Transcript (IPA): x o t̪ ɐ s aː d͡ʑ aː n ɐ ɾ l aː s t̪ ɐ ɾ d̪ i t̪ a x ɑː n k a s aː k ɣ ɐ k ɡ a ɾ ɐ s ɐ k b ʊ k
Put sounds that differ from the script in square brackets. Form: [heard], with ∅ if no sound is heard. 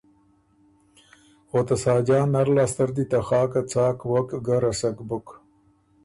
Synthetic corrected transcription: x o t̪ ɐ s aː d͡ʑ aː n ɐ ɾ l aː s t̪ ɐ ɾ d̪ i t̪ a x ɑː [∅] k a [t͡s] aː k [w] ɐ k ɡ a ɾ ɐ s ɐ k b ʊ k